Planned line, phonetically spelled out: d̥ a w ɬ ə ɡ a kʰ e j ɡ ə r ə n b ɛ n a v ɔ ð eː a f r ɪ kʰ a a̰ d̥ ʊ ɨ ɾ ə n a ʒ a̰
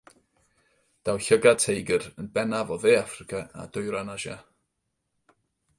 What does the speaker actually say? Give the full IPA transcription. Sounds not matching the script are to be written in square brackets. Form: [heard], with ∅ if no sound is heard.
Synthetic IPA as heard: d̥ a w ɬ ə ɡ a [tʰ] e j ɡ ə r ə n b ɛ n a v ɔ ð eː a f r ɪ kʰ a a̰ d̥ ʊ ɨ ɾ [a] n a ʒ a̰

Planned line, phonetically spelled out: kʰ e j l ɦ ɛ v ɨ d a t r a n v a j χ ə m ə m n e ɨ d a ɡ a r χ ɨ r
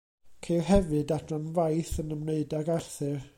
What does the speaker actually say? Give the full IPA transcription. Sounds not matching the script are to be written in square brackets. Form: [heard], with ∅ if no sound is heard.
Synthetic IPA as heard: kʰ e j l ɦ ɛ v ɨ d a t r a n v a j [θ] ə [n] ə m n e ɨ d a ɡ a r [θ] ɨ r

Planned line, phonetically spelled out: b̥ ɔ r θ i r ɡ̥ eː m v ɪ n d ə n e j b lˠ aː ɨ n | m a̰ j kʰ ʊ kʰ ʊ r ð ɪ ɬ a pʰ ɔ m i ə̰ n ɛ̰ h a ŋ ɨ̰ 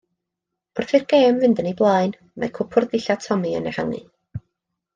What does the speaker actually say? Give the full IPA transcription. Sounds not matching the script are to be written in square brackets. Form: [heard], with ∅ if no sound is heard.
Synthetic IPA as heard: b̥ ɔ r θ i r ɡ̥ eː m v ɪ n d ə n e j b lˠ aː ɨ n | m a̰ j kʰ ʊ [pʰ] ʊ r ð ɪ ɬ a [tʰ] ɔ m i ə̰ n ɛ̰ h a ŋ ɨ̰

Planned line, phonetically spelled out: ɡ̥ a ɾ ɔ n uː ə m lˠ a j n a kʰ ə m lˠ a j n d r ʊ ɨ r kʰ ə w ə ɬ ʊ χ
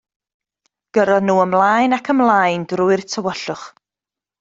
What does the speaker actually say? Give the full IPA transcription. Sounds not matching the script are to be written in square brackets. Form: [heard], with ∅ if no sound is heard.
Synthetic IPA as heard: ɡ̥ [ə] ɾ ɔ n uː ə m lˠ a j n a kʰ ə m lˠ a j n d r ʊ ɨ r [tʰ] ə w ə ɬ ʊ χ

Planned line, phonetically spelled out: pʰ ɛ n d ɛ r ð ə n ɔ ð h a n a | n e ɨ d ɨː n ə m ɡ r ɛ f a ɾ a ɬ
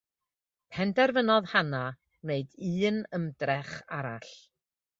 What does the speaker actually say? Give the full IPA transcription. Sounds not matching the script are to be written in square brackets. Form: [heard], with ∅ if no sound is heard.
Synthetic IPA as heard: pʰ ɛ n d ɛ r [v] ə n ɔ ð h a n a | n e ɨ d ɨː n ə m [d] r ɛ [χ] a ɾ a ɬ

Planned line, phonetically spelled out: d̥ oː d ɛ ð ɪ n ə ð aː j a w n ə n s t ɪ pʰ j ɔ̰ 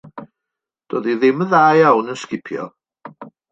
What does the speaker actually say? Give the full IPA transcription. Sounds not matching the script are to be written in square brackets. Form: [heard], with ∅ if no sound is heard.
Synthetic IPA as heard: d̥ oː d [i] ð ɪ [m] ə ð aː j a w n ə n s [k] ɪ pʰ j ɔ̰

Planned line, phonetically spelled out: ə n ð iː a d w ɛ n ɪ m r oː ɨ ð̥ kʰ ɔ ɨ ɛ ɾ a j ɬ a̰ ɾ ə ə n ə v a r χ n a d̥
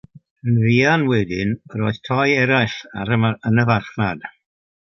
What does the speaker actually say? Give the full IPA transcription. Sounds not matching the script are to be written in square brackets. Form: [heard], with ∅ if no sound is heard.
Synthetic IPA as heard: ə n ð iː a [n] w ɛ [d] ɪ [n] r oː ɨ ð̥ [tʰ] ɔ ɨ ɛ ɾ a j ɬ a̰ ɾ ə ə n ə v a r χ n a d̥

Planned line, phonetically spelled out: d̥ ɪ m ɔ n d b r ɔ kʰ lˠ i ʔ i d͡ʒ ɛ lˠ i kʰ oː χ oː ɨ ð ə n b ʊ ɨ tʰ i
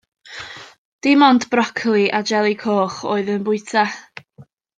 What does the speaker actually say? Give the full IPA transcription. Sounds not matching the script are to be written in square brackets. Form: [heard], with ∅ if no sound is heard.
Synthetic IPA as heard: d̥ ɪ m ɔ n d b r ɔ kʰ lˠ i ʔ [a] d͡ʒ ɛ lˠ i kʰ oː χ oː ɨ ð ə n b ʊ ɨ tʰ [a]

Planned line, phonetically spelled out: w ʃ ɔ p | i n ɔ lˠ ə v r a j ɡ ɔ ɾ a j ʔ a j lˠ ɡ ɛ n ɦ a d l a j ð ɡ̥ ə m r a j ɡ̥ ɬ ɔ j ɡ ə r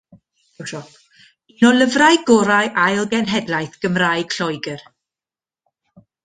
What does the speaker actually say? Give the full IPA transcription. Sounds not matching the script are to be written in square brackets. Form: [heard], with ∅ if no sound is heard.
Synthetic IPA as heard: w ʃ ɔ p | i n ɔ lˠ ə v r a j ɡ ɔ ɾ a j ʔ a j lˠ ɡ ɛ n ɦ [ɛ] d l a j [θ] ɡ̥ ə m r a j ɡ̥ ɬ ɔ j ɡ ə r

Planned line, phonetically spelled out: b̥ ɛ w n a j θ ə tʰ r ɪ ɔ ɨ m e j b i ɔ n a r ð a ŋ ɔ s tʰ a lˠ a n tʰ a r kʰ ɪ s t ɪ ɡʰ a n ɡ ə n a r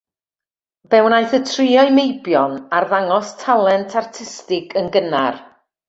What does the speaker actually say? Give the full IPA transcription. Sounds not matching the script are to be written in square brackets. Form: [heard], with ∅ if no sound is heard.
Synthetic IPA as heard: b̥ ɛ w n a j θ ə tʰ r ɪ ɔ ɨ m e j b [j] ɔ n a r ð a ŋ ɔ s tʰ a lˠ [ɛ] n tʰ a r [tʰ] ɪ s t ɪ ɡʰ [ə] n ɡ ə n a r

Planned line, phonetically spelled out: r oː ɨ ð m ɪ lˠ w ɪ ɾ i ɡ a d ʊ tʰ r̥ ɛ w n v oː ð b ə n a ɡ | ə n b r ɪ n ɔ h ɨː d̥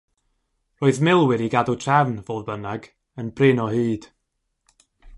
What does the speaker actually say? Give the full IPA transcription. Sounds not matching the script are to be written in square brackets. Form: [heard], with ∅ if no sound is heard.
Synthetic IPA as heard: r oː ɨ ð m ɪ lˠ w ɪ ɾ i ɡ a d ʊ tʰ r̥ ɛ [v] n v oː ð b ə n a ɡ | ə n b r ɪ n ɔ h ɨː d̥

